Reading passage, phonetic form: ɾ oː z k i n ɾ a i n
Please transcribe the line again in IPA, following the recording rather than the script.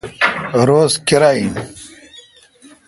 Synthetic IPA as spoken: ɾ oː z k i ɾ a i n